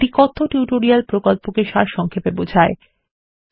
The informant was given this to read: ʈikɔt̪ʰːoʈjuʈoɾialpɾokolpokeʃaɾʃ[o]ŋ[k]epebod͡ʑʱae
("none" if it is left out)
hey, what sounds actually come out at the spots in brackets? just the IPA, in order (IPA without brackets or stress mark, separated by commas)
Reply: ɔ, kʰ